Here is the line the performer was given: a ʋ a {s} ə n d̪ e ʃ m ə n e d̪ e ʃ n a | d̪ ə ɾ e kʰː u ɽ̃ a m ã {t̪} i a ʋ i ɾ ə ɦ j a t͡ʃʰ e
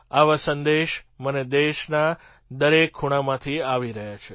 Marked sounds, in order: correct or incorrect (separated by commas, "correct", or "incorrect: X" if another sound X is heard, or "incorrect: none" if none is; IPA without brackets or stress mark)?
correct, incorrect: t̪ʰ